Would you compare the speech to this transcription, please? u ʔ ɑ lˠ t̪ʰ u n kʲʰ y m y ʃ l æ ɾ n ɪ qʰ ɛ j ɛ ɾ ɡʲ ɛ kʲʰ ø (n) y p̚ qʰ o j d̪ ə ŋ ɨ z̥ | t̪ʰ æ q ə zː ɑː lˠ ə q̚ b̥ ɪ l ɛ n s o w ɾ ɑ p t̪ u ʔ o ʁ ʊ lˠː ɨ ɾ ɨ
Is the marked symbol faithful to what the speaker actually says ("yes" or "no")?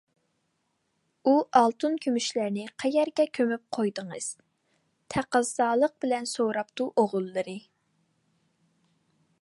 no